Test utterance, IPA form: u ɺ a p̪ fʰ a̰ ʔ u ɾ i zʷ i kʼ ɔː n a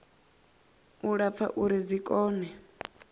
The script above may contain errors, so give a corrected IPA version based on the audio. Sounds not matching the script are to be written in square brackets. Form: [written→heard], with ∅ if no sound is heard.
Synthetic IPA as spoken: u ɺ a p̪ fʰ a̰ ʔ u ɾ i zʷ i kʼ ɔː n [a→ɛ]